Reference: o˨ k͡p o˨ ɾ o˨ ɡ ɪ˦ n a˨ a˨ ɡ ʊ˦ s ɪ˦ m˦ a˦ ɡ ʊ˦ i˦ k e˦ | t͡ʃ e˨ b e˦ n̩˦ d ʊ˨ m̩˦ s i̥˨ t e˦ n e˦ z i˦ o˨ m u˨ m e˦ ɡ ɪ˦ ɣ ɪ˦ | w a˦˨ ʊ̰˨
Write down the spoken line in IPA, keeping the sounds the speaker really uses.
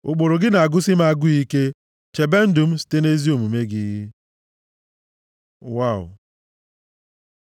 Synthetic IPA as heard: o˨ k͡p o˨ ɾ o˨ ɡ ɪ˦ n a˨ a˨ ɡ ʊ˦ s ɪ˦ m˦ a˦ ɡ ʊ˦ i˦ k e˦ | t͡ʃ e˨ b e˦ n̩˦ d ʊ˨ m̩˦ s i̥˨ t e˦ n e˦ z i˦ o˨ m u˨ m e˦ ɡ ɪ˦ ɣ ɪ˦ | w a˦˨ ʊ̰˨